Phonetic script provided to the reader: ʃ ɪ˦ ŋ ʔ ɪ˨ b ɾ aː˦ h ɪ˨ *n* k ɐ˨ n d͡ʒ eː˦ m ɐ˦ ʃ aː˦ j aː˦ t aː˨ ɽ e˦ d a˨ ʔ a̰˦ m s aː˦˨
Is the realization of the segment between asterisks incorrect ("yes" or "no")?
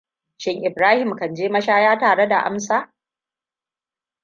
yes